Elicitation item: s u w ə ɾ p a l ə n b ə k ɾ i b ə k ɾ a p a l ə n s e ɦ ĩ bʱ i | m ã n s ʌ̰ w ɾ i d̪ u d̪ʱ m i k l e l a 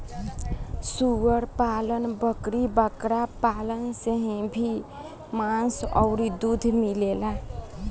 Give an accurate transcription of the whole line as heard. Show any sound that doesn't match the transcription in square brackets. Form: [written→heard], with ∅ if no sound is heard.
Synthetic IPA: s u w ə ɾ p a l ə n b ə k ɾ i b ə k ɾ a p a l ə n s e ɦ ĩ bʱ i | m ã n s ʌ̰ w ɾ i d̪ u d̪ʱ m i [k→∅] l e l a